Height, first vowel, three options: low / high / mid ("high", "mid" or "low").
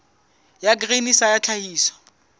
low